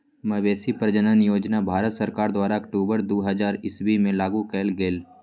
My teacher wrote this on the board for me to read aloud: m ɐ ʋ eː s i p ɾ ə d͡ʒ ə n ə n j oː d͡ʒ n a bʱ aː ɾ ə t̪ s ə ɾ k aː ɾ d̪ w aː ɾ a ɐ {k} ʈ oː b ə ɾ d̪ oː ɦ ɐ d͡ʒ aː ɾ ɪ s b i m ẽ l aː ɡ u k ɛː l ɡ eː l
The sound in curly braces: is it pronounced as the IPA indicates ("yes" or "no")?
yes